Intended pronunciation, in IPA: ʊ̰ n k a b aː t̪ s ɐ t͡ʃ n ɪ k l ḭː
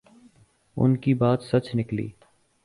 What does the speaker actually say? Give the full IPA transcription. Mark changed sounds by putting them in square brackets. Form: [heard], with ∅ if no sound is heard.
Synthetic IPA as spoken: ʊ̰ n k [i] b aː t̪ s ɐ t͡ʃ n ɪ k l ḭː

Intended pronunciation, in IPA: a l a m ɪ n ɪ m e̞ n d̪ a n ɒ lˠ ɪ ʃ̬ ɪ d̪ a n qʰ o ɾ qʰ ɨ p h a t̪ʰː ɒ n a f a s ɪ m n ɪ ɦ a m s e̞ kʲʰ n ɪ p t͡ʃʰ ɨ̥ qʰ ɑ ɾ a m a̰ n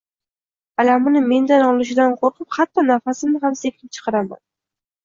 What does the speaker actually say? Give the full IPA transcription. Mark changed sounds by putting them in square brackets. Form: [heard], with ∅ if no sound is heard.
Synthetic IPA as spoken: a l a m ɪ n ɪ m e̞ n d̪ a n ɒ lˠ ɪ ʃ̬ ɪ d̪ a n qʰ o ɾ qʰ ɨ p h a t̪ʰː ɒ n a f a s ɪ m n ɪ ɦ a m s e̞ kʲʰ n ɪ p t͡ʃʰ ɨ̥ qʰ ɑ ɾ a m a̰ n

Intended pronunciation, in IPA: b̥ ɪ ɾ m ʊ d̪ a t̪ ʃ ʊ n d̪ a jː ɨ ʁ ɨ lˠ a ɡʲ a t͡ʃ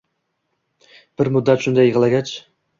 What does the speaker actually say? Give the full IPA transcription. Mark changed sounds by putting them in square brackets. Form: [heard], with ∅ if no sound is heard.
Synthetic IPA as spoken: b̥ ɪ ɾ m ʊ [d̪ː] a t̪ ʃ ʊ n d̪ a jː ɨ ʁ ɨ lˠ a ɡʲ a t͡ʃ

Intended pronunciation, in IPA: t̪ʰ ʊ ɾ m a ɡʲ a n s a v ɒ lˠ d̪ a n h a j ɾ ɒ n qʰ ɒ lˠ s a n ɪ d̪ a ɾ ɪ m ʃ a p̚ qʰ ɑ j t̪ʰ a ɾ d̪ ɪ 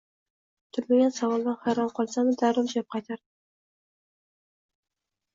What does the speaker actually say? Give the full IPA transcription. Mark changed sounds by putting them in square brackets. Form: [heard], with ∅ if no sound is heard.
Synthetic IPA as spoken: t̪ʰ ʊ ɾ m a ɡʲ a n s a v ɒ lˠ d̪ a n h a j ɾ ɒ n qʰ ɒ lˠ s a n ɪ d̪ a ɾ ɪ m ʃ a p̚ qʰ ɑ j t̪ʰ a ɾ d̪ ɪ

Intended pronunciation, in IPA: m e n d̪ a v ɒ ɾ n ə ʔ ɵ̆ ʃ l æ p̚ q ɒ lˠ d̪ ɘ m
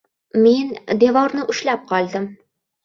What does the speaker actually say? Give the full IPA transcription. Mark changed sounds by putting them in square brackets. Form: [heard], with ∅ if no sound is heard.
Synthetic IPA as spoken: m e n d̪ [e] v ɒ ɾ n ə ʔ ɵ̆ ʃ l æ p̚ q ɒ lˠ d̪ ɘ m

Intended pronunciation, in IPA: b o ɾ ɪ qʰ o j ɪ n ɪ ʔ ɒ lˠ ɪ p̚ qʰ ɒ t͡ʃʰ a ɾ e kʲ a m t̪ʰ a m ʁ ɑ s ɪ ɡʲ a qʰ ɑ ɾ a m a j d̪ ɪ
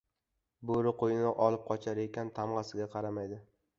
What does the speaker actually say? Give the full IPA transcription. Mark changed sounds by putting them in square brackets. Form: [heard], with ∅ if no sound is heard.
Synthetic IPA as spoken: b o ɾ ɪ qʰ o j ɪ n ɪ ʔ ɒ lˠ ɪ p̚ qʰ ɒ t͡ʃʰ a ɾ e kʲ a [n] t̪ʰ a m ʁ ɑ s ɪ ɡʲ a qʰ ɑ ɾ a m a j d̪ ɪ

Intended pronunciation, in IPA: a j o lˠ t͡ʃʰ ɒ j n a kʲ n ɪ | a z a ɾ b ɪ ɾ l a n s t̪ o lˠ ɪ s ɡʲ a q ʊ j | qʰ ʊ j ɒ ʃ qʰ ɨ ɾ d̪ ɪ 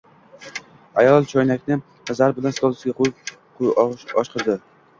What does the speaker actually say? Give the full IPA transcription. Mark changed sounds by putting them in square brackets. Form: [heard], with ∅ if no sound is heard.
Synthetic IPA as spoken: a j [ɒ] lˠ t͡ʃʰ ɒ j n a kʲ n ɪ | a z a ɾ b ɪ [∅] l a n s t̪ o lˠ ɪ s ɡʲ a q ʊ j | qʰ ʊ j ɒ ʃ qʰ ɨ ɾ d̪ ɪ

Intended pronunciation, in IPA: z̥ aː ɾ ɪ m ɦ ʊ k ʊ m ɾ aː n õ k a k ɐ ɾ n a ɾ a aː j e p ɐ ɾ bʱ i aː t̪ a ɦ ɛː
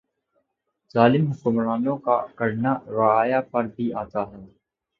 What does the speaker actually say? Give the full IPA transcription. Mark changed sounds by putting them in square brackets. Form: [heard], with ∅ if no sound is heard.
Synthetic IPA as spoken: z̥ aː [l] ɪ m ɦ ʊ k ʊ m ɾ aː n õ k a k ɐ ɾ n a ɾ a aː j [a] p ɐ ɾ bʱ i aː t̪ a ɦ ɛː

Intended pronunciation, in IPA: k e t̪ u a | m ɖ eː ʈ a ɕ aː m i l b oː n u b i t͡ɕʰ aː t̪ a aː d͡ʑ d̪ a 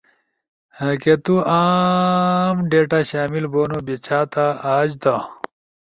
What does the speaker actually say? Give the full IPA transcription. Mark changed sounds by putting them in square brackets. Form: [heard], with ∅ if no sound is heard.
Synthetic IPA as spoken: k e t̪ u a | m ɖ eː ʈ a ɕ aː m i l b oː n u b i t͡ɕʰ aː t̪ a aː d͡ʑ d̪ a

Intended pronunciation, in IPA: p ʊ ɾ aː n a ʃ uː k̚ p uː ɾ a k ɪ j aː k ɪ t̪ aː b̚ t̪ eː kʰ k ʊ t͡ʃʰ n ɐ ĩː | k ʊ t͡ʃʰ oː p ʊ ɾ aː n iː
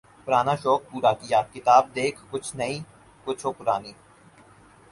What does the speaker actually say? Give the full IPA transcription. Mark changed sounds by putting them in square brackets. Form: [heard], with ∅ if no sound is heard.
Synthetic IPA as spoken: p ʊ ɾ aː n a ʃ [ɔː] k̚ p uː ɾ a k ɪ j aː k ɪ t̪ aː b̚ [d̪] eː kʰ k ʊ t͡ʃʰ n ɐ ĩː | k ʊ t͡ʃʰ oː p ʊ ɾ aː n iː

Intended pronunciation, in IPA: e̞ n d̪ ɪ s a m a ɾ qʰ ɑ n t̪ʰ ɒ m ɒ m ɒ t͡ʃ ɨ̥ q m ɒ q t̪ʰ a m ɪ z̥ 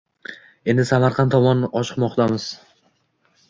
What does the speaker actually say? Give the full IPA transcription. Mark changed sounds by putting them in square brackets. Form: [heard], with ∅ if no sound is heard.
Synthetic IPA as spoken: e̞ n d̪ ɪ s a m a ɾ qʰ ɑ n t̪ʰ ɒ m ɒ [n] ɒ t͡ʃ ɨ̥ q m ɒ q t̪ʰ a m ɪ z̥

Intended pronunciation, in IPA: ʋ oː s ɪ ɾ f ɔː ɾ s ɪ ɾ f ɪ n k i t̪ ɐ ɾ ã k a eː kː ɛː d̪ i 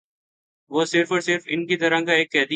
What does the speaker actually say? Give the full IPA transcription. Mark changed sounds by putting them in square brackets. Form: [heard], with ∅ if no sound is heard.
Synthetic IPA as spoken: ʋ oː s ɪ ɾ f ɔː ɾ s ɪ ɾ f ɪ n k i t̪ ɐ ɾ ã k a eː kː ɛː d̪ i

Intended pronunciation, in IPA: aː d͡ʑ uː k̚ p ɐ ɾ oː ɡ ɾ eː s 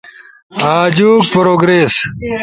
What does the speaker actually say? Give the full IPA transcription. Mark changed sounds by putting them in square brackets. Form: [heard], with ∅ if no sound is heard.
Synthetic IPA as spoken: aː d͡ʑ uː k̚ p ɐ ɾ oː ɡ ɾ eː s

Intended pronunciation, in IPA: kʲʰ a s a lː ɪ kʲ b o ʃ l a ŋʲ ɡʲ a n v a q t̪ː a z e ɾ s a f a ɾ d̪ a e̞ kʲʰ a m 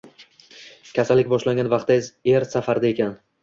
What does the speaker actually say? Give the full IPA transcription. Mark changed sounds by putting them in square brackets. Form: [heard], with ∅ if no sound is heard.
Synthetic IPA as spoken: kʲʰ a s a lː ɪ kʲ b [ɒ] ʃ l a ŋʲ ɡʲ a n v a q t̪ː a z e ɾ s a f a ɾ d̪ a e̞ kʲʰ a [n]

